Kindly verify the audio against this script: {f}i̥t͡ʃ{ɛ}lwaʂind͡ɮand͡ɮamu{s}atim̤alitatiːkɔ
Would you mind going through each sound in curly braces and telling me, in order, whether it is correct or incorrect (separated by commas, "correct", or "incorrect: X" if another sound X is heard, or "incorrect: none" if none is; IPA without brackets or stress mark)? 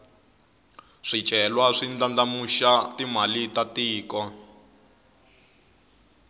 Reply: incorrect: ʂ, correct, incorrect: ʃ